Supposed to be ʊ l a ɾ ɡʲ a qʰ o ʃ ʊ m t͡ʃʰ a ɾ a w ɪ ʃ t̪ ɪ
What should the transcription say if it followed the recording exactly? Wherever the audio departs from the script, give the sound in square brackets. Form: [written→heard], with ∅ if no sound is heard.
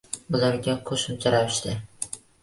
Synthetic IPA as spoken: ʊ l a ɾ ɡʲ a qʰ o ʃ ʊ m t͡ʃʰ a ɾ a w ɪ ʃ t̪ ɪ